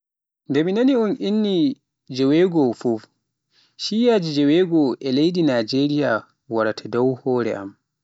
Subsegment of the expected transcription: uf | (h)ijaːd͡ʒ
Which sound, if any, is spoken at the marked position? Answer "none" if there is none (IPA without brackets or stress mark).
ʃ